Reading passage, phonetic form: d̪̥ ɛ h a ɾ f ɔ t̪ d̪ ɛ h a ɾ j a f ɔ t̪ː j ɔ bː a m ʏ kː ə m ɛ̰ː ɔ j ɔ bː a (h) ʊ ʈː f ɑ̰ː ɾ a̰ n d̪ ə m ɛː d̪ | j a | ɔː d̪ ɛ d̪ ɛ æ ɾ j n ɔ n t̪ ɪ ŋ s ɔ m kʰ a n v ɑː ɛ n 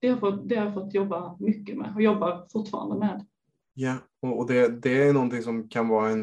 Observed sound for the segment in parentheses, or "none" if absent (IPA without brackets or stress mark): f